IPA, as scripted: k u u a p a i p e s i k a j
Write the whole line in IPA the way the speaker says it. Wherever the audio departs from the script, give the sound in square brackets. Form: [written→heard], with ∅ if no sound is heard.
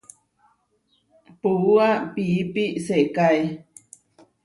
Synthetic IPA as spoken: [k→p] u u a p [a→i] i p [e→i] s [i→e] k a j